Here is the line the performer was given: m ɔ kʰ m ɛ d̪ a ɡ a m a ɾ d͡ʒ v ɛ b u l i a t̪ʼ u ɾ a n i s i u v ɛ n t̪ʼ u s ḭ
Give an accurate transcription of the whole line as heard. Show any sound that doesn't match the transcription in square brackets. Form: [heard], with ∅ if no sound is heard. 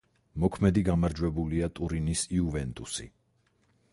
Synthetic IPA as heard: m ɔ kʰ m ɛ d̪ [i] ɡ a m a ɾ d͡ʒ [w] ɛ b u l i a t̪ʼ u ɾ [i] n i s i u v ɛ n t̪ʼ u s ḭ